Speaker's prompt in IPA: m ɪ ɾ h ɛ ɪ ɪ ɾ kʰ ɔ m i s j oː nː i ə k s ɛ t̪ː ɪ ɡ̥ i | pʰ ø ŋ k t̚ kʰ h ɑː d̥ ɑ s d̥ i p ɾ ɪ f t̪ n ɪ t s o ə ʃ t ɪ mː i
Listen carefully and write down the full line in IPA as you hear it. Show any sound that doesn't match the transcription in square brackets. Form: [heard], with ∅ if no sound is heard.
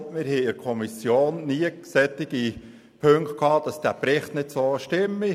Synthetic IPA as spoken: m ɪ ɾ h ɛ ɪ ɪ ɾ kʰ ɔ m i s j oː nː i ə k s ɛ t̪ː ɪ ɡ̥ i | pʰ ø ŋ k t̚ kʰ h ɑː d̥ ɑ s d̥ [æ] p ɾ ɪ [χ] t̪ n ɪ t s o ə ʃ t ɪ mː i